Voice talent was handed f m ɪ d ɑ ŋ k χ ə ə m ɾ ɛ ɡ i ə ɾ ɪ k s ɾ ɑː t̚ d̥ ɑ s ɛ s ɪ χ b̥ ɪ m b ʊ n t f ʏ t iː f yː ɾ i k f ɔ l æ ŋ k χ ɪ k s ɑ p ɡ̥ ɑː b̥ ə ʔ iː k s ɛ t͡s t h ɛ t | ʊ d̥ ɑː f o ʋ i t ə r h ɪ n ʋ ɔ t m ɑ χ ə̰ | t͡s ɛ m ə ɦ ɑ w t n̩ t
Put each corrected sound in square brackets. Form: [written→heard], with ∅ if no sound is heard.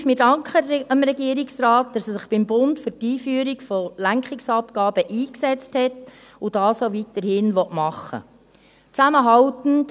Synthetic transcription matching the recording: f m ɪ d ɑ ŋ k χ ə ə m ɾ ɛ ɡ i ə ɾ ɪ k s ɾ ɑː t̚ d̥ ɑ s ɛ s ɪ χ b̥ ɪ m b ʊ n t f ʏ t iː f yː ɾ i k f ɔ l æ ŋ k χ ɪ k s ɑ p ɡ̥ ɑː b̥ ə ʔ iː k s ɛ t͡s t h ɛ t | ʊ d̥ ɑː [f→s] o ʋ i t ə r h ɪ n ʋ ɔ t m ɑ χ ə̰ | t͡s [ɛ→æ] m ə ɦ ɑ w t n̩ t